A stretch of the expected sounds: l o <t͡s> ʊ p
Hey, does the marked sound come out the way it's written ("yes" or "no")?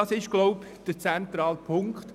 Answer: no